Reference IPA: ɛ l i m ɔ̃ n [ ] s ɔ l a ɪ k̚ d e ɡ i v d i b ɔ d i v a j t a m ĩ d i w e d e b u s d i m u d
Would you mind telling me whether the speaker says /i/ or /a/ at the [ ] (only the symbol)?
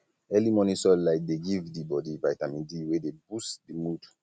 i